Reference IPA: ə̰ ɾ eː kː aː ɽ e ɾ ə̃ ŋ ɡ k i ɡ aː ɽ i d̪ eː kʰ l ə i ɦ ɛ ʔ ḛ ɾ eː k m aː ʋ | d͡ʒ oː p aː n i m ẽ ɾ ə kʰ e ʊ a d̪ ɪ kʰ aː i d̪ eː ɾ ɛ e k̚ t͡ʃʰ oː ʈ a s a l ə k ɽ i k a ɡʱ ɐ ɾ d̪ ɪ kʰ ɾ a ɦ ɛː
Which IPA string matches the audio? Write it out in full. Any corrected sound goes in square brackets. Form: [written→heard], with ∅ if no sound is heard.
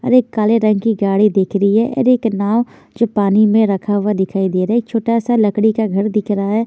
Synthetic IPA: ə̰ ɾ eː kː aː [ɽ→l] e ɾ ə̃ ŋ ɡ k i ɡ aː ɽ i d̪ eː kʰ [l→ɾ] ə i ɦ ɛ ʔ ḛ ɾ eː k [m→n] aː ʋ | d͡ʒ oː p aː n i m ẽ ɾ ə kʰ [e→a] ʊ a d̪ ɪ kʰ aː i d̪ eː ɾ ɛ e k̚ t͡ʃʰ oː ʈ a s a l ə k ɽ i k a ɡʱ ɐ ɾ d̪ ɪ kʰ ɾ a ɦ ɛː

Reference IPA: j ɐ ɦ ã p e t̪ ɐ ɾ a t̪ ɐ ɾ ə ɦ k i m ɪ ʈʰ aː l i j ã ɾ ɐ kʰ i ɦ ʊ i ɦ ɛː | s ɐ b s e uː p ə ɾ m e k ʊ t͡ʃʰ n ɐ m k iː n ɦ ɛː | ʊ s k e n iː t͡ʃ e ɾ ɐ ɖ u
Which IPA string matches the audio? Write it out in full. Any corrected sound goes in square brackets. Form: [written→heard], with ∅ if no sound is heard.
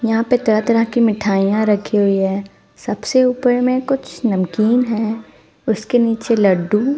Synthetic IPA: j ɐ ɦ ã p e t̪ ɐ ɾ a t̪ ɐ ɾ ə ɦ k i m ɪ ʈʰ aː [l→∅] i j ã ɾ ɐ kʰ i ɦ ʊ i ɦ ɛː | s ɐ b s e uː p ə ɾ m [e→ẽ] k ʊ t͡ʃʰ n ɐ m k iː n ɦ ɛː | ʊ s k e n iː t͡ʃ e [ɾ→l] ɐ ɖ u

